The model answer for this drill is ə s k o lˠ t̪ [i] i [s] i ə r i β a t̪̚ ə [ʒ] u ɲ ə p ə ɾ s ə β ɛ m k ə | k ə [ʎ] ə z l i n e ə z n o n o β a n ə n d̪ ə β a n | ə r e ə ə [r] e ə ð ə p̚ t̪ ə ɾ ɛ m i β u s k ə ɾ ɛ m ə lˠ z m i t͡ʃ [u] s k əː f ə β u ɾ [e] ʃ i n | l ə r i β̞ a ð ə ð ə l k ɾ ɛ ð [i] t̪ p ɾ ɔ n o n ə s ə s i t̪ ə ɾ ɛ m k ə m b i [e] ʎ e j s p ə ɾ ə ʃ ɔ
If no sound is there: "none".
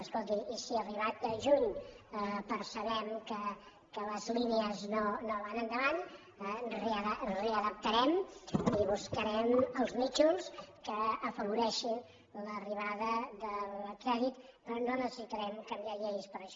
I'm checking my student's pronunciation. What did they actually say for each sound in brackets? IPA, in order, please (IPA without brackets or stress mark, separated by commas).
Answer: i, s, ʒ, l, r, u, ɛ, i, a